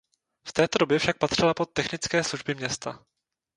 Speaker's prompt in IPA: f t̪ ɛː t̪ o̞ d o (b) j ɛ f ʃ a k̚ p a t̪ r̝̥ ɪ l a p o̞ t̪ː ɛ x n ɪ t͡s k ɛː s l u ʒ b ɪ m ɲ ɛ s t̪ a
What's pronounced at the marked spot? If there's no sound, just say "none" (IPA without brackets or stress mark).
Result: b